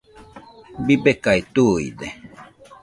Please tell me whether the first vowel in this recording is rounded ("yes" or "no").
no